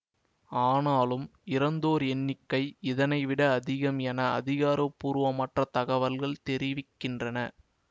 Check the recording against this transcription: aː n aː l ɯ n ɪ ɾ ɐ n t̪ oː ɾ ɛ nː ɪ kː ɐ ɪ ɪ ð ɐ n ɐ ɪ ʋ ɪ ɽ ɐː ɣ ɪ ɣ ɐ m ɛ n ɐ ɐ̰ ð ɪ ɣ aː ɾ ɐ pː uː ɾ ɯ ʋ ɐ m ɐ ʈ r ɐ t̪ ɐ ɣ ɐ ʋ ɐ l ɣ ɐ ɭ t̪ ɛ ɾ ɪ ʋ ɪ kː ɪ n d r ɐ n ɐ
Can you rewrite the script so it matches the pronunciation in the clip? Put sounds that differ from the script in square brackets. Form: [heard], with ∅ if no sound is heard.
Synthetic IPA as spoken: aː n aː l ɯ [m] ɪ ɾ ɐ n [d̪] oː ɾ ɛ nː ɪ kː ɐ ɪ ɪ ð ɐ n ɐ ɪ ʋ ɪ ɽ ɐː [ð] ɪ ɣ ɐ m ɛ n ɐ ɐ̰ ð ɪ ɣ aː ɾ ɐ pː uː ɾ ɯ ʋ ɐ m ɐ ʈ r ɐ t̪ ɐ ɣ ɐ ʋ ɐ l ɣ ɐ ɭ t̪ ɛ ɾ ɪ ʋ ɪ kː ɪ n d r ɐ n ɐ